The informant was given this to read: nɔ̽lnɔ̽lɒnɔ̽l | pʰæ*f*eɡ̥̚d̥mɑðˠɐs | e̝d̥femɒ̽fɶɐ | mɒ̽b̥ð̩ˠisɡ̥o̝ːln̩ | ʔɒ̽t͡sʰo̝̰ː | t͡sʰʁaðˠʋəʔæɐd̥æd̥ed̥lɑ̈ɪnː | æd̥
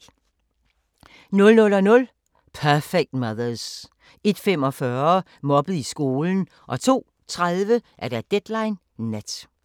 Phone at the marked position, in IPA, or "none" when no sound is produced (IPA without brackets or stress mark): f